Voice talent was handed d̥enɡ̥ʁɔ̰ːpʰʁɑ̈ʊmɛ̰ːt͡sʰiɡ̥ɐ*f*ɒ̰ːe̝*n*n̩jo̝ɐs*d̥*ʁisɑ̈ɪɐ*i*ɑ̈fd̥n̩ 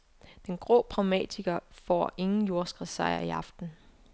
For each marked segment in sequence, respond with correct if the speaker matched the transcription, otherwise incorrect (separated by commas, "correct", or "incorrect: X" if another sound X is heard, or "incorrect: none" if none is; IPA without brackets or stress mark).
correct, incorrect: ŋ, incorrect: ɡ̥, correct